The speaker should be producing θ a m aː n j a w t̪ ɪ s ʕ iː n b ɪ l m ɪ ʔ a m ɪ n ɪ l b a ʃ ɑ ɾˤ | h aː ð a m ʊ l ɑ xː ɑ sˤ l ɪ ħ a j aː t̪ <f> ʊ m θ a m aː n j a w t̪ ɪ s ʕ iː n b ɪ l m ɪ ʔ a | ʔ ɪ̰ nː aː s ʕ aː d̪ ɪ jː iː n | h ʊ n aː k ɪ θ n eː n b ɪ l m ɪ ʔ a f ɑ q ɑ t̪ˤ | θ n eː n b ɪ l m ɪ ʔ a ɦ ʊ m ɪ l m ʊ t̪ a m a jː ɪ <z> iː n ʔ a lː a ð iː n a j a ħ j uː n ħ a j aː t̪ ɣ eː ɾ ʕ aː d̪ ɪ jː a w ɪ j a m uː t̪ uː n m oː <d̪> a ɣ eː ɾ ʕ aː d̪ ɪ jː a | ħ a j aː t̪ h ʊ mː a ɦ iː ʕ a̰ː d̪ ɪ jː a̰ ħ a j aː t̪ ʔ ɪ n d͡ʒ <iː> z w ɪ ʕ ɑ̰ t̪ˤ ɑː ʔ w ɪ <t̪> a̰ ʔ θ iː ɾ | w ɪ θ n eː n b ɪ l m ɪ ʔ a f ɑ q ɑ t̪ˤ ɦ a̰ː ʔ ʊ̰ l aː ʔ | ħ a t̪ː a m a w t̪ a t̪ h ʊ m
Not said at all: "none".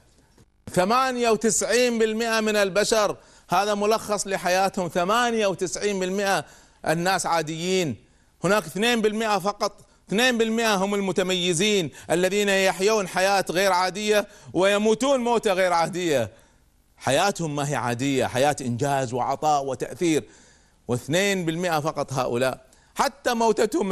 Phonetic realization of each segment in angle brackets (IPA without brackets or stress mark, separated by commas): h, z, t̪, aː, t̪